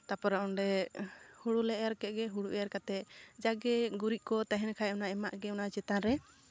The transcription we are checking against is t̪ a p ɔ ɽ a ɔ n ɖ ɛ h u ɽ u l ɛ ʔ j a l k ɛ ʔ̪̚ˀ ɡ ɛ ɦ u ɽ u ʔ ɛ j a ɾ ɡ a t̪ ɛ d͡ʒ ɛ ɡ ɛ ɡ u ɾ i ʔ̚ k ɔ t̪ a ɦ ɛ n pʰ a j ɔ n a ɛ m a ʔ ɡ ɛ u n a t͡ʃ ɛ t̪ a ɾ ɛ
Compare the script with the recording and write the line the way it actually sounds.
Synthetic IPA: t̪ a p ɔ ɾ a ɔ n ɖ ɛ h u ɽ u l ɛ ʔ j a ɾ k ɛ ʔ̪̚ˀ ɡ ɛ ɦ u ɽ u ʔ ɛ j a ɾ k a t̪ ɛ d͡ʒ a ɡ ɛ ɡ u ɾ i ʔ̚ k ɔ t̪ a ɦ ɛ n kʰ a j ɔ n a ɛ m a ʔ ɡ ɛ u n a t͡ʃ ɛ t̪ a ɾ ɛ